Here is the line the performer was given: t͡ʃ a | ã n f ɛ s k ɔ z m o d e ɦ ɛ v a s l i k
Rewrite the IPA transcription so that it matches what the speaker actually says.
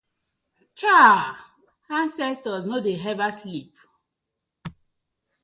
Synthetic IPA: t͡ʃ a | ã n s ɛ s t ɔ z n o d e ɦ ɛ v a s l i p